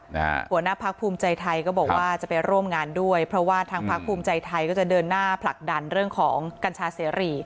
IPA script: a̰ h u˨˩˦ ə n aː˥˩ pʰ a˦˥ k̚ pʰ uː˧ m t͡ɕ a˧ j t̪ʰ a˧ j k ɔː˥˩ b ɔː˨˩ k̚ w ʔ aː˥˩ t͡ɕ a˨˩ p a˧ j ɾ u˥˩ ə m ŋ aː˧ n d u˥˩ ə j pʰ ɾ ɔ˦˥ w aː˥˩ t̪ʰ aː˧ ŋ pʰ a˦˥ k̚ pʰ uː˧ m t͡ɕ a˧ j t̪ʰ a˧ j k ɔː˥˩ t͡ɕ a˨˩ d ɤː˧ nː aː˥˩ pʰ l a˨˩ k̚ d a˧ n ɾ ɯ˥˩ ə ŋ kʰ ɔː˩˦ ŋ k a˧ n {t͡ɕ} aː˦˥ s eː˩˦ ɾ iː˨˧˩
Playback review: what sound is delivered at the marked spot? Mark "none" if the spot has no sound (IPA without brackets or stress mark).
t͡ɕʰ